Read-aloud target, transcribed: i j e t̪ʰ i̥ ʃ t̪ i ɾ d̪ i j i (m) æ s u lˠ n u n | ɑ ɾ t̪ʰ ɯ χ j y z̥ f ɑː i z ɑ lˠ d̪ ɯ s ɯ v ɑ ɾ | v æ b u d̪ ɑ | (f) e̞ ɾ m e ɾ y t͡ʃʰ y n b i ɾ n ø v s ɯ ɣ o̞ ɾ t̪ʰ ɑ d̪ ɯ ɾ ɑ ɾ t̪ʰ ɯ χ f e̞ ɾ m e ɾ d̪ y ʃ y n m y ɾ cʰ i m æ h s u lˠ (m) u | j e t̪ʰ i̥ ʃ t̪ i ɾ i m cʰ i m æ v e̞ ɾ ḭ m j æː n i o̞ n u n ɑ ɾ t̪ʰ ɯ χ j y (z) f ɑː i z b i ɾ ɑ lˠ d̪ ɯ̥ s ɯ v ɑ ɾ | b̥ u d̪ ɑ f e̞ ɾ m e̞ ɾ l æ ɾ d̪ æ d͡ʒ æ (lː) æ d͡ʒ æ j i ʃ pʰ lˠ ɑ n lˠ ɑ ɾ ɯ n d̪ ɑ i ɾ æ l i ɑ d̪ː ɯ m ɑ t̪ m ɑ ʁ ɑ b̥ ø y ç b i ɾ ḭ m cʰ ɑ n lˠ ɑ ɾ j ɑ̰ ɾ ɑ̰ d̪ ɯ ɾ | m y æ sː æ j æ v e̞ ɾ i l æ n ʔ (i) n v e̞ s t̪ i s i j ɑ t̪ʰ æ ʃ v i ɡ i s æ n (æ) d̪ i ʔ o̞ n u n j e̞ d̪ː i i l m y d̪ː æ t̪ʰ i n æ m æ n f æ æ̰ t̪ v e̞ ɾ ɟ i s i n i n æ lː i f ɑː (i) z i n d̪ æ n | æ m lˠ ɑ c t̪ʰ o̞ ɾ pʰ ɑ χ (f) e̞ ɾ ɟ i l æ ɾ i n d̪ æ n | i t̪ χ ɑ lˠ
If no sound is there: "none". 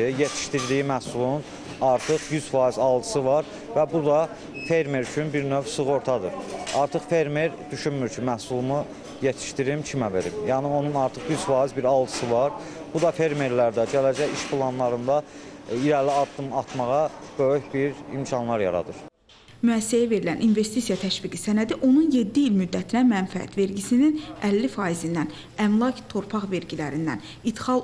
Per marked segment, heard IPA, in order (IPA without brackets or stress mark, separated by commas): m, f, m, z, l, i, æ, i, v